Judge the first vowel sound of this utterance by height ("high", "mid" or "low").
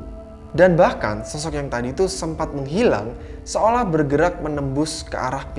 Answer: low